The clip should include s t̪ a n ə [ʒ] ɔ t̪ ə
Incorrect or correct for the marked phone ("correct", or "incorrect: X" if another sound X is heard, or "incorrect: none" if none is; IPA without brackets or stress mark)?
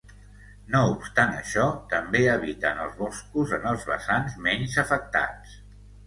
incorrect: ʃ